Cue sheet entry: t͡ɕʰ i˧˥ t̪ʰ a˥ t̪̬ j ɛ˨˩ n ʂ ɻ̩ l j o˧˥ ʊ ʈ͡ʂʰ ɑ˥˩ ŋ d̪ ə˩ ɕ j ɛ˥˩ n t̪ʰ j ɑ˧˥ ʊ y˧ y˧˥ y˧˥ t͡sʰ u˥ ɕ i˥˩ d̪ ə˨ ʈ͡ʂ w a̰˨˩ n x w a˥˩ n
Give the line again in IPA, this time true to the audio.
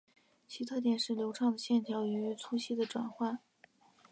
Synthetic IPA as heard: t͡ɕʰ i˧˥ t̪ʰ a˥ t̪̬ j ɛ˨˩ n ʂ ɻ̩ l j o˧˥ ʊ ʈ͡ʂʰ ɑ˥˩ ŋ d̪ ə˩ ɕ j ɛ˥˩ n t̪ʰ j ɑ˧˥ ʊ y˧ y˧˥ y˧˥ t͡sʰ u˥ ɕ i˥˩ d̪ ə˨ ʈ͡ʂ w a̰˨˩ n x w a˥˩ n